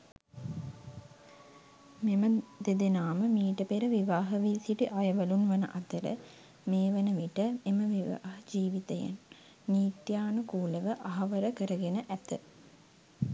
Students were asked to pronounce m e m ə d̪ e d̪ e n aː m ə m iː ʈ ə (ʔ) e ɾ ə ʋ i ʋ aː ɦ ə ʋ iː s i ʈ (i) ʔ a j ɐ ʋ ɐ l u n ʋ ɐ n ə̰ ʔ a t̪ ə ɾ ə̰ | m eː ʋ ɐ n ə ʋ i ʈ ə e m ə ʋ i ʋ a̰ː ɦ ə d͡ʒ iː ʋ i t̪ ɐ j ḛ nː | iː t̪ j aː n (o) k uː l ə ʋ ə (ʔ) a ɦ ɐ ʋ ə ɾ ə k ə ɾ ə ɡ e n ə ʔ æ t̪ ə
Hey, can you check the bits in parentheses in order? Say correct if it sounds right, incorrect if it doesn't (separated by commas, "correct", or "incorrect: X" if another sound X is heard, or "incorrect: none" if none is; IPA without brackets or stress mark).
incorrect: p, correct, incorrect: u, correct